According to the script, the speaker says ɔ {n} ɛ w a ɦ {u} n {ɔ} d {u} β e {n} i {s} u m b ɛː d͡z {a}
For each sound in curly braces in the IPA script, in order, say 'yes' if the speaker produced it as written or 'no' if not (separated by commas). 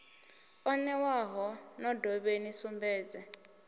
yes, no, yes, no, yes, yes, no